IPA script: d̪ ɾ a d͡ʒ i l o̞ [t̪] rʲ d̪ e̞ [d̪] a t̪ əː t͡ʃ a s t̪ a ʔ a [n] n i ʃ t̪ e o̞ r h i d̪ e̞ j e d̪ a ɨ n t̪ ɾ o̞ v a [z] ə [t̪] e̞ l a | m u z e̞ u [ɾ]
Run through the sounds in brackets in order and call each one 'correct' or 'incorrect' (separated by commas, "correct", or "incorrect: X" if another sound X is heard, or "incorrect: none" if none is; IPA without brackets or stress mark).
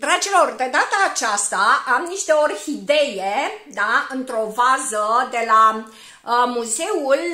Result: incorrect: none, correct, incorrect: m, correct, incorrect: d̪, incorrect: l